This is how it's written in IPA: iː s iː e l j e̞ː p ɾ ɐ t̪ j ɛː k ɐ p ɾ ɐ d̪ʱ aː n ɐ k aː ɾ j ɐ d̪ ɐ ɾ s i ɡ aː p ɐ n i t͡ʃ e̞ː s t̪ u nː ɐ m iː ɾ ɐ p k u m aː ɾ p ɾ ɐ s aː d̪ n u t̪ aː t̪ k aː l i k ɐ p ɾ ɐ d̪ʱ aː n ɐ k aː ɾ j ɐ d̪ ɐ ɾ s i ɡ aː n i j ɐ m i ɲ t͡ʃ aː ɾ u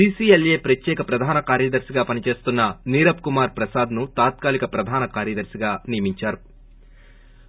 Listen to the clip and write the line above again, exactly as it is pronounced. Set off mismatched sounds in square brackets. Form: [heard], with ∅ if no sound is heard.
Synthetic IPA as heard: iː s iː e l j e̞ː p ɾ ɐ t̪ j ɛː k ɐ p ɾ ɐ d̪ʱ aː n ɐ k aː ɾ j ɐ d̪ ɐ ɾ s i ɡ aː p ɐ n i t͡ʃ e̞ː s t̪ u nː ɐ [n] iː ɾ ɐ p k u m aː ɾ p ɾ ɐ s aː d̪ n u t̪ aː t̪ k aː l i k ɐ p ɾ ɐ d̪ʱ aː n ɐ k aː ɾ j ɐ d̪ ɐ ɾ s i ɡ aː n i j ɐ m i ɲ t͡ʃ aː ɾ u